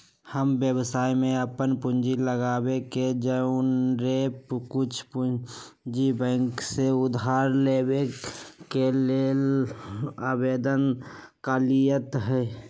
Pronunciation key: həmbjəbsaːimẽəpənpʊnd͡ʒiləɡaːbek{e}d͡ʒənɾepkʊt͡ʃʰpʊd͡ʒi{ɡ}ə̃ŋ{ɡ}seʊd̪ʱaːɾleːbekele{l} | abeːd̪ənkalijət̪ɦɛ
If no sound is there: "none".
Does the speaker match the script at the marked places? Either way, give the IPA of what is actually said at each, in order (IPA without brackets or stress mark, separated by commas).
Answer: e, b, k, l